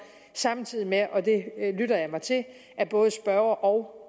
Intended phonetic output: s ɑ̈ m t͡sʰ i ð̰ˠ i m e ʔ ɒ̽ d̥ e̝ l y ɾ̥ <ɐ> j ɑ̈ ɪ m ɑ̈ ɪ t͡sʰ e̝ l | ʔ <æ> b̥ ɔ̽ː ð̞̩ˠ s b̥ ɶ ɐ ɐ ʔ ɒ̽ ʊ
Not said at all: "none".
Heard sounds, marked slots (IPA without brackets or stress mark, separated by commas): ɐ, æ